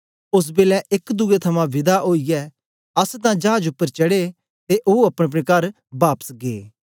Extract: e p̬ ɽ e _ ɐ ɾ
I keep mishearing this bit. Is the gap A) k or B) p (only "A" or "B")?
A